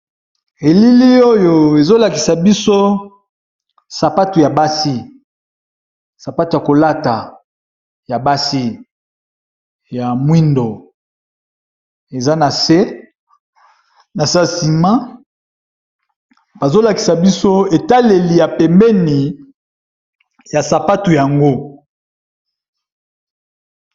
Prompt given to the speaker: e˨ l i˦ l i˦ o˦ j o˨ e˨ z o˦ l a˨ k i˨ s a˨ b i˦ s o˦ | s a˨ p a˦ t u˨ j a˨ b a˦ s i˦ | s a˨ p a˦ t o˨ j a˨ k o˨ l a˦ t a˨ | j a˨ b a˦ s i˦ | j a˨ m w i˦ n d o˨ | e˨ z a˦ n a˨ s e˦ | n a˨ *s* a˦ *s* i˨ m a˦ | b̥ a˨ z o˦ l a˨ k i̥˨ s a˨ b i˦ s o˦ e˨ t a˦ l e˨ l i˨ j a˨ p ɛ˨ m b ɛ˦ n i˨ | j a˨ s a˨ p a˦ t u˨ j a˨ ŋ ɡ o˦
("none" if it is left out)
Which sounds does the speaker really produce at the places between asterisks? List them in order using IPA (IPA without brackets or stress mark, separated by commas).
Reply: s, s